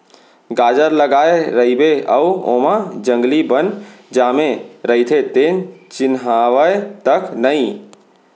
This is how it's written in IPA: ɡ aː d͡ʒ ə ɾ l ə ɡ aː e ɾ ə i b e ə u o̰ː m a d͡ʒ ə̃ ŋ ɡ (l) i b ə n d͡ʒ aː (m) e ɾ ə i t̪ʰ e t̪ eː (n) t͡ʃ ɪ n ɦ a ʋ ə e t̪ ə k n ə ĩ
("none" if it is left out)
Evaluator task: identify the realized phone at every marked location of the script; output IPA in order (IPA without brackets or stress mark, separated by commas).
l, m, n